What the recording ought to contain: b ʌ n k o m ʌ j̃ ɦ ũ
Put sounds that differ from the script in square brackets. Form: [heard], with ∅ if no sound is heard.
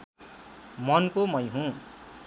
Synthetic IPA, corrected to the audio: [m] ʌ n k o m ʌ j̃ ɦ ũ